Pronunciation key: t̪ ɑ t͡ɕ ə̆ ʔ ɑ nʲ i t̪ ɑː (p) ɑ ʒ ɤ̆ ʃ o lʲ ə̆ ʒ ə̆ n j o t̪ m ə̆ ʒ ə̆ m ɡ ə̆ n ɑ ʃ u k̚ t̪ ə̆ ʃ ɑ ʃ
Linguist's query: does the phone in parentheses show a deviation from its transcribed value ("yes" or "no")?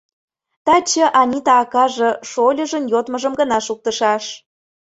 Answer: yes